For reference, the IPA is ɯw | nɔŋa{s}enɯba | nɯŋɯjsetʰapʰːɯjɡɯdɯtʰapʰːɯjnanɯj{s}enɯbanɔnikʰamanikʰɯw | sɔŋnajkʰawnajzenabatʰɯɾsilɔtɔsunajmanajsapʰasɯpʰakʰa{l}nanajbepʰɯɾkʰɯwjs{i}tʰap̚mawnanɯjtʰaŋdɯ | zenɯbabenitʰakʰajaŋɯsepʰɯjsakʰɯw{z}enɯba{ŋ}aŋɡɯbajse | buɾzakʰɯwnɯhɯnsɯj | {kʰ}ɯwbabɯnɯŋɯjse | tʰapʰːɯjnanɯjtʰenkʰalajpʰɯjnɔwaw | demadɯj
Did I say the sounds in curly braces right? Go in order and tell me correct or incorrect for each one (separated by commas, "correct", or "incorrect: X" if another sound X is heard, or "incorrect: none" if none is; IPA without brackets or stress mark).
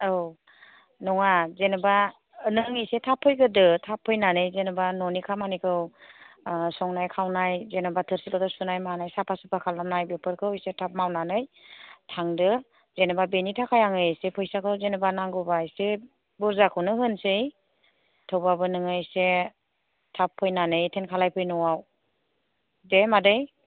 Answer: incorrect: z, incorrect: z, correct, incorrect: e, correct, incorrect: n, incorrect: tʰ